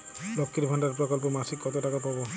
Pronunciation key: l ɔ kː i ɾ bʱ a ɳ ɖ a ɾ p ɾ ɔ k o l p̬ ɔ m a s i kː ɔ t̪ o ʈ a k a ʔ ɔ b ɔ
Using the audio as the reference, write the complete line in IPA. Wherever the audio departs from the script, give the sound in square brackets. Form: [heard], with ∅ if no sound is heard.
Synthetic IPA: l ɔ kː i ɾ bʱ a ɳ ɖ a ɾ p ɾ ɔ k [ɔ] l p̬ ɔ m a s i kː ɔ t̪ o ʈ a k a [p] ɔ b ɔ